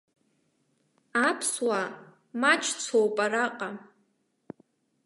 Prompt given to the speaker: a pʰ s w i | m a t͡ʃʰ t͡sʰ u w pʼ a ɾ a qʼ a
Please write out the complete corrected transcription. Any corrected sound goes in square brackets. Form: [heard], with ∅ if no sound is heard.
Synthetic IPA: a pʰ s w [a] | m a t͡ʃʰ t͡sʰ [o] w pʼ a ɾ a qʼ a